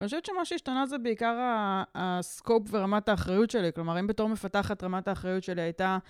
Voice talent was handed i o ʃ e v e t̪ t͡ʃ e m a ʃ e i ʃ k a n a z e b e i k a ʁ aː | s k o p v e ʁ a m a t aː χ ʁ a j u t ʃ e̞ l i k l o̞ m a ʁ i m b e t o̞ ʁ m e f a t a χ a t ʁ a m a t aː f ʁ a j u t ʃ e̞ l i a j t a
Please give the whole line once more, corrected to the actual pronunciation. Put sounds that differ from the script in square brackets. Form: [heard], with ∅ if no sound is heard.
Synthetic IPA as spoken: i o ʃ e v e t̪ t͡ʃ e m a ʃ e i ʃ [t] a n a z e b e i k a ʁ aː | s k o p v e ʁ a m a t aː χ ʁ a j u t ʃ e̞ l i k l o̞ m a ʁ i m b e t o̞ ʁ m e f a t a χ a t ʁ a m a t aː [χ] ʁ a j u t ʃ e̞ l i a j t a